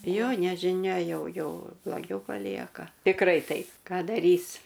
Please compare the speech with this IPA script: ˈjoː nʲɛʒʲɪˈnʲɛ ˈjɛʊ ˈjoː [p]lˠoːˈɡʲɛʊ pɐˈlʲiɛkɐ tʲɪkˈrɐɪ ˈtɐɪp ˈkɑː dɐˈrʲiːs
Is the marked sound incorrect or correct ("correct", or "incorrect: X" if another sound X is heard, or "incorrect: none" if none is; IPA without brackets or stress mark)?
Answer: incorrect: b